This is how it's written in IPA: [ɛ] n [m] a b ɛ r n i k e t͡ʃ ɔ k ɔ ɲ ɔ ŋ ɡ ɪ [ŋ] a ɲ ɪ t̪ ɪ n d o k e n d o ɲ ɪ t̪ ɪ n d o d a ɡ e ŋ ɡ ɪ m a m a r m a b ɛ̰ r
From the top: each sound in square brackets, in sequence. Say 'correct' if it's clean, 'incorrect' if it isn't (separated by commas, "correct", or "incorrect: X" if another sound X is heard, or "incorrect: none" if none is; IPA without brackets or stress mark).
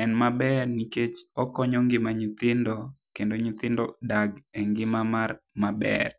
correct, correct, incorrect: m